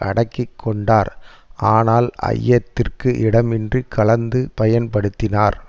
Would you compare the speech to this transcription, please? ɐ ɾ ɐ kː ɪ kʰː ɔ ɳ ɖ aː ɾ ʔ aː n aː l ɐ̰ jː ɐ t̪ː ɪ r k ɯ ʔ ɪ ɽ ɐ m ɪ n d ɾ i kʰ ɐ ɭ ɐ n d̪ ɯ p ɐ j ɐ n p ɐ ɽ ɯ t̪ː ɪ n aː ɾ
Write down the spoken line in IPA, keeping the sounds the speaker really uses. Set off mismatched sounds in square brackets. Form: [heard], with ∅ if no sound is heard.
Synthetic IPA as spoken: ɐ [ɽ] ɐ kː ɪ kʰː ɔ ɳ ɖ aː ɾ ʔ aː n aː l ɐ̰ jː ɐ t̪ː ɪ r k ɯ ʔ ɪ ɽ ɐ m ɪ n d [r] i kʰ ɐ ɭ ɐ n d̪ ɯ p ɐ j ɐ n p ɐ ɽ ɯ t̪ː ɪ n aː ɾ